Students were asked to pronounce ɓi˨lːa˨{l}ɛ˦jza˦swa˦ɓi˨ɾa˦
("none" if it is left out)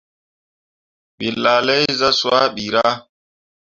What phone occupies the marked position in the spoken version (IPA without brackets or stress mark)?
l